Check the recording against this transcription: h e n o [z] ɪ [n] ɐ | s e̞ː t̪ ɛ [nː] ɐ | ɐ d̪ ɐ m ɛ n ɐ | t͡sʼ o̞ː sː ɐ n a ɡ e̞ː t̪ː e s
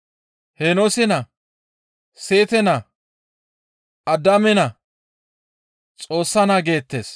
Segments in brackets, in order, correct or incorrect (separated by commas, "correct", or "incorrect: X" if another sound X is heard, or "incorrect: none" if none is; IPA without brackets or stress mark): incorrect: s, correct, incorrect: n